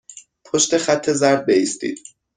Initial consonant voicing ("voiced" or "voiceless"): voiceless